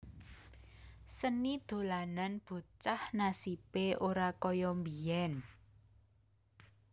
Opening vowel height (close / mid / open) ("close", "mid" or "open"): mid